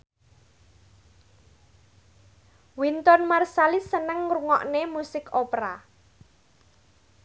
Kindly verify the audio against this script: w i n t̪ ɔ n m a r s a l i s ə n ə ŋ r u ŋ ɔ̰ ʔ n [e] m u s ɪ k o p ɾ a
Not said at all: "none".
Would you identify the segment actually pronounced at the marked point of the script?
e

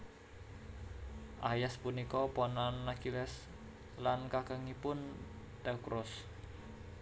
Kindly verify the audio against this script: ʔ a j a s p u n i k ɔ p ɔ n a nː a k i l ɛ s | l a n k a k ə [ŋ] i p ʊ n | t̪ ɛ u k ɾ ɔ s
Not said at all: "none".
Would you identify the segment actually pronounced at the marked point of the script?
ŋ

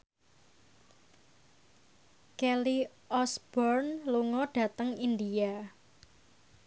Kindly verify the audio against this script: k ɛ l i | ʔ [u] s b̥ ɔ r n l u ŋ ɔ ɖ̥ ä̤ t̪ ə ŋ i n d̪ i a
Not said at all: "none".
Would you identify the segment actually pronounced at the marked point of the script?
ɔ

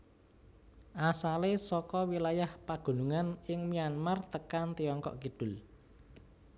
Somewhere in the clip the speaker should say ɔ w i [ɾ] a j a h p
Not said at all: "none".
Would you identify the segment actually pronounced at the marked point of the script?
l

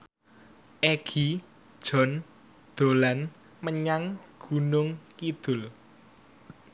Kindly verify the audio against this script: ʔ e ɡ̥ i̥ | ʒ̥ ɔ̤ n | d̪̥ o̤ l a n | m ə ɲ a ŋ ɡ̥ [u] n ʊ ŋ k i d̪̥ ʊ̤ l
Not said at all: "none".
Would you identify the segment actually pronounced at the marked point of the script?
u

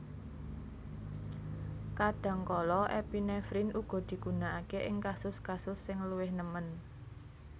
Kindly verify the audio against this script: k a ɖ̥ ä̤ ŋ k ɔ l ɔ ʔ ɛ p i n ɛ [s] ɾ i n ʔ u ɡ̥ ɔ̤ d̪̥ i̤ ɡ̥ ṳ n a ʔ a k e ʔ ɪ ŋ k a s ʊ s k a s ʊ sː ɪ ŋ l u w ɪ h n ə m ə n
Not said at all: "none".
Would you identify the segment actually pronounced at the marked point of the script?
f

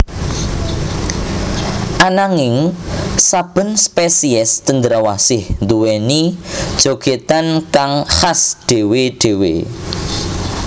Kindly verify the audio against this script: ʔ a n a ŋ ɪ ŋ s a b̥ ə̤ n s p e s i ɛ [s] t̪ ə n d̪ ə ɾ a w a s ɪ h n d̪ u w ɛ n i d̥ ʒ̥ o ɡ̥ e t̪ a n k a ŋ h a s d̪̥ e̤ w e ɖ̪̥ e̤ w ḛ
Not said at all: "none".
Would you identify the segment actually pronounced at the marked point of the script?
s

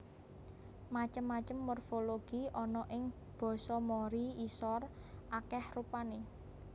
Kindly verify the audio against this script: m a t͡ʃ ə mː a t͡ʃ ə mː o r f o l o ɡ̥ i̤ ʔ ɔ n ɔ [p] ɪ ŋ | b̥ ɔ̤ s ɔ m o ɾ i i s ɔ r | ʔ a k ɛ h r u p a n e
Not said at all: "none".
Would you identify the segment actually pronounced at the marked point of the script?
ʔ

